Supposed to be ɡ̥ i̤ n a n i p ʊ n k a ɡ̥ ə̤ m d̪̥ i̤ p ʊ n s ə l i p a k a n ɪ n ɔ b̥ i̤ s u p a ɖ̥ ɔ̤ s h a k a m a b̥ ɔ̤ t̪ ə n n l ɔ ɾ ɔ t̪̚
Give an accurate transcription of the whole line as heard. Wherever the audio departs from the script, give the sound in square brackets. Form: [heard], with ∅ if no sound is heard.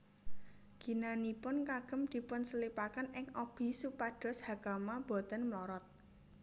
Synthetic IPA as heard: ɡ̥ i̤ n a n i p ʊ n k a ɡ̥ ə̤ m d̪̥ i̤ p ʊ n s ə l i p a k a n ɪ [ŋ] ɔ b̥ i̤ s u p a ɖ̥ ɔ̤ s h a k a m a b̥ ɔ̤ t̪ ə n [m] l ɔ ɾ ɔ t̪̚